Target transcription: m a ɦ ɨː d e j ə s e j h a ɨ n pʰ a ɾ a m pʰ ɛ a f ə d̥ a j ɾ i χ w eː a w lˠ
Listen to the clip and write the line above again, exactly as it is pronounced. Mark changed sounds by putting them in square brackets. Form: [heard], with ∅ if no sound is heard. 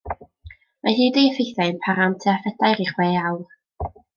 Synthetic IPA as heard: m a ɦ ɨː d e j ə [f] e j [θ] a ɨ n pʰ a ɾ a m [tʰ] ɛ a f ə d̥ a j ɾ i χ w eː a w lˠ